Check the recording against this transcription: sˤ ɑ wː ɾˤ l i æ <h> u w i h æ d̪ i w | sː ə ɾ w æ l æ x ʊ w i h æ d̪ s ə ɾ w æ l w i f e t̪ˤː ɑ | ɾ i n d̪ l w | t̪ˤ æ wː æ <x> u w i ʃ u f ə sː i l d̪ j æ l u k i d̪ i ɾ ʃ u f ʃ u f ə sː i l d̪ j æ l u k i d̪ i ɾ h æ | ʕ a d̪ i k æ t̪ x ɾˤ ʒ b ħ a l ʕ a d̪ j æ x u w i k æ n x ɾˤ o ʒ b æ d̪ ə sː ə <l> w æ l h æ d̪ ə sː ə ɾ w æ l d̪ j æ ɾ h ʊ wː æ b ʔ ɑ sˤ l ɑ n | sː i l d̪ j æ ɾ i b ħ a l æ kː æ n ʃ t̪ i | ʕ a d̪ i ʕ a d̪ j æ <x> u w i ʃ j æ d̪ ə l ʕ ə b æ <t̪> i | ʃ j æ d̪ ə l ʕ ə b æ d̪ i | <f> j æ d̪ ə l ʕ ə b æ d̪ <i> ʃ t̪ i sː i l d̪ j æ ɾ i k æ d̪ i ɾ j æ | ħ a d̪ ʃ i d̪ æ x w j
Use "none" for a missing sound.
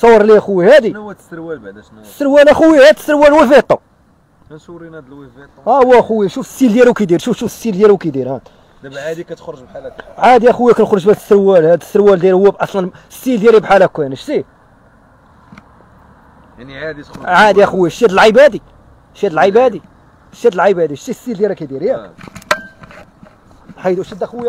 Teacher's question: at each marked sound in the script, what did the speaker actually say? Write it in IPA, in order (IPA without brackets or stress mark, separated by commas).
x, x, ɾ, x, d̪, ʃ, i